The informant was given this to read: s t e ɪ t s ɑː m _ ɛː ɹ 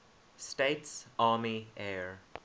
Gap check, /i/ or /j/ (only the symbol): i